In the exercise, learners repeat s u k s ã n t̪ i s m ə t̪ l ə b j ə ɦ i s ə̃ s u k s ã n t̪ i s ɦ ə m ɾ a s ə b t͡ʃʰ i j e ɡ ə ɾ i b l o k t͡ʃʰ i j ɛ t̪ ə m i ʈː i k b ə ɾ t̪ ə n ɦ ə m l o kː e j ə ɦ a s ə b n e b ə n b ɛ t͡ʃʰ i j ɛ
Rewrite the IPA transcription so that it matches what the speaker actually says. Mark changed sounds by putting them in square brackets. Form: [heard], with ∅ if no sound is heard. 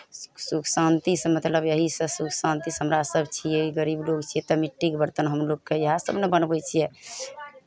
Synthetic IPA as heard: s u k s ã n t̪ i s m ə t̪ l ə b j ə ɦ i s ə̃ s u k s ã n t̪ i s ɦ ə m ɾ a s ə b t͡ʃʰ i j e ɡ ə ɾ i b l o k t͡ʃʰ i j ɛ t̪ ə m i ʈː i k b ə ɾ t̪ ə n ɦ ə m l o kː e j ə ɦ a s ə b n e b ə n b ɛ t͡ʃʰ i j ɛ